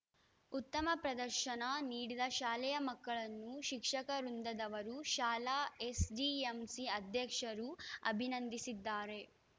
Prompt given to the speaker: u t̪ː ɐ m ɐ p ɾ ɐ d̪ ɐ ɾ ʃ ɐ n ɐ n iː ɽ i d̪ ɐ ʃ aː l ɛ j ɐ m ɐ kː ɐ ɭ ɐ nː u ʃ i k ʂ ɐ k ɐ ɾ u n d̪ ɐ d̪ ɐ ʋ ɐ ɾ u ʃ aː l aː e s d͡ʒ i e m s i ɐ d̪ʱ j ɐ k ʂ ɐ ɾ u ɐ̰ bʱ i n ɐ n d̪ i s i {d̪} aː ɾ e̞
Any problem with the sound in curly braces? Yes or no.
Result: yes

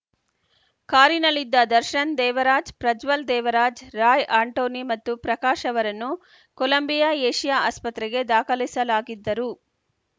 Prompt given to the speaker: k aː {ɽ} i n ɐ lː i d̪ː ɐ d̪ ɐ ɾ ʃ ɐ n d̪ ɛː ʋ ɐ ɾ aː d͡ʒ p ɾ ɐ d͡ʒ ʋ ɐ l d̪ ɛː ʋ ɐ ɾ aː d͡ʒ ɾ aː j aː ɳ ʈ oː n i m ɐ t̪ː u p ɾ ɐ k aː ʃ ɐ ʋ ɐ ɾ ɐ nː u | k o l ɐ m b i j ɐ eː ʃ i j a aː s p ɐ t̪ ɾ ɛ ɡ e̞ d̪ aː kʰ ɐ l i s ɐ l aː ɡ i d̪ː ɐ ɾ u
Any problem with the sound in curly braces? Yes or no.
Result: yes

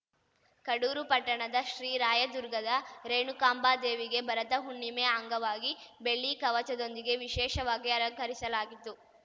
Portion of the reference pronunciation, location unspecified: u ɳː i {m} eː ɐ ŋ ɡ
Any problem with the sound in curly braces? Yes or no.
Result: no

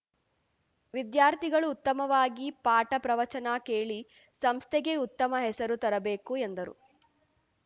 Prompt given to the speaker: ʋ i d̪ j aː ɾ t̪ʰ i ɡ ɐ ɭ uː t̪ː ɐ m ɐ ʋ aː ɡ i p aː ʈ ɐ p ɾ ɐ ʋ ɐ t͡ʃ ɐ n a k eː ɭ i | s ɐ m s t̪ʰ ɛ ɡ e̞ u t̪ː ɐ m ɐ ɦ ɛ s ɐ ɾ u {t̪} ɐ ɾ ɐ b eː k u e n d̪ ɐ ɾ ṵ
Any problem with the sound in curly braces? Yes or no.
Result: no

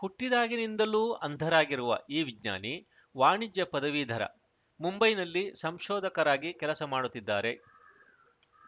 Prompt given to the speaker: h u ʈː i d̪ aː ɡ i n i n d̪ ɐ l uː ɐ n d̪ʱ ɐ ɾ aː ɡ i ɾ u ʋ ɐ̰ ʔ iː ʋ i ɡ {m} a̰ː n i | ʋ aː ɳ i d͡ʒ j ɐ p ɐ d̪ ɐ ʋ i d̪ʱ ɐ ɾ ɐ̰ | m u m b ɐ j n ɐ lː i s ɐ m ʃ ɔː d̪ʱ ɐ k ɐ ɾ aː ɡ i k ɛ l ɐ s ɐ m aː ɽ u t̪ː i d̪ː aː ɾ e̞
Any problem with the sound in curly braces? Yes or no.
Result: yes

